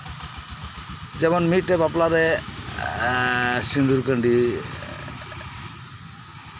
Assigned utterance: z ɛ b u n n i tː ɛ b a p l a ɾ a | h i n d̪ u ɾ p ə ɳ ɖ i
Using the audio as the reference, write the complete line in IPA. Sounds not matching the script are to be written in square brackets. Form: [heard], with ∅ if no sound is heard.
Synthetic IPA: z ɛ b [ɔ] n [m] i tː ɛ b a p l a ɾ [ɛ] | [s] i n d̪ u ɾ [k] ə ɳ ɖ i